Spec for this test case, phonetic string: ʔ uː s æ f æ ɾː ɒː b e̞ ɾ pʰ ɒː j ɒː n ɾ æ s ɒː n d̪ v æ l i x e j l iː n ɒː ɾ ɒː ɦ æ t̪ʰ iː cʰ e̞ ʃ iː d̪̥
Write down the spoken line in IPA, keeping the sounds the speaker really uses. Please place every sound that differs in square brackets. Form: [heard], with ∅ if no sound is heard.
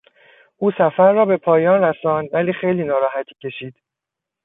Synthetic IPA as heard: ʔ uː s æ f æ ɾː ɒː b e̞ [∅] pʰ ɒː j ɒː n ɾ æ s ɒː n d̪ v æ l [iː] x e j l iː n ɒː ɾ ɒː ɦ æ t̪ʰ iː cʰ e̞ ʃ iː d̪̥